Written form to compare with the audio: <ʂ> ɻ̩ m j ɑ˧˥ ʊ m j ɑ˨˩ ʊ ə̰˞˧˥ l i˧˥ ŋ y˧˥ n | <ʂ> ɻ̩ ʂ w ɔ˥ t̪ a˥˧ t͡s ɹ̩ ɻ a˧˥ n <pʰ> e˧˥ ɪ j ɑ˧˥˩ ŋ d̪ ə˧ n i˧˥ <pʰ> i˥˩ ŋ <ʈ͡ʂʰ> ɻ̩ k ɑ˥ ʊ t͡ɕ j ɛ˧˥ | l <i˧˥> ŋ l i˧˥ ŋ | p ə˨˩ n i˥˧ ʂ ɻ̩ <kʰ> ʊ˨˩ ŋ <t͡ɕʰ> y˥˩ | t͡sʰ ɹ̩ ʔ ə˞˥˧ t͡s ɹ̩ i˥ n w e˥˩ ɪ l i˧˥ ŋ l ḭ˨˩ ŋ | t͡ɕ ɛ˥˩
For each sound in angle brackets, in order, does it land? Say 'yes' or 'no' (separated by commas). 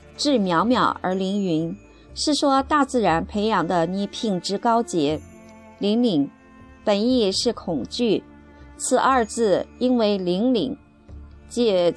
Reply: no, yes, yes, yes, no, yes, yes, no